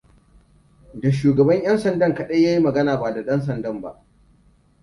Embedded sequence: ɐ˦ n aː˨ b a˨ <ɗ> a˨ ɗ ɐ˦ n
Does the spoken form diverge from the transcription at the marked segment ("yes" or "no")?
yes